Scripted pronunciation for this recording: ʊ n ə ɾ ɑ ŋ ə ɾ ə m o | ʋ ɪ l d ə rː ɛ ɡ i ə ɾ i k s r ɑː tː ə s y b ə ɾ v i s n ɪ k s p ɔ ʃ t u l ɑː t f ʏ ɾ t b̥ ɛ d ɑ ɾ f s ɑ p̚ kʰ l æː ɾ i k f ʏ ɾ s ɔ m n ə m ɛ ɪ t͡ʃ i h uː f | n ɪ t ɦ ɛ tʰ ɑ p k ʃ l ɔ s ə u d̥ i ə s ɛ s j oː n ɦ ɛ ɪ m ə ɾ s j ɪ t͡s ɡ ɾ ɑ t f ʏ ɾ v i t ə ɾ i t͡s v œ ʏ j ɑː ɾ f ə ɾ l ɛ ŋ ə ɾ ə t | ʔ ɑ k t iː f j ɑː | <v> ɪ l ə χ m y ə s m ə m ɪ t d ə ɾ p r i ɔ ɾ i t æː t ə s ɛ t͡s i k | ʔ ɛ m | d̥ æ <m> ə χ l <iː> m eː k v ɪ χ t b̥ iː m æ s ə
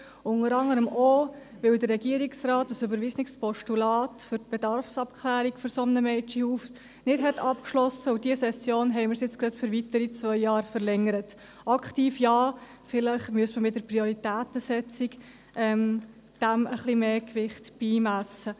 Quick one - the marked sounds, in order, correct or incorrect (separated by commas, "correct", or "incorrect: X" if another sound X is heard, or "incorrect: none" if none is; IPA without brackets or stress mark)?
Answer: incorrect: f, correct, incorrect: i